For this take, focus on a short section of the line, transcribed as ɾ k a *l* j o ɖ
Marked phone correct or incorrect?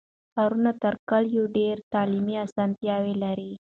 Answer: correct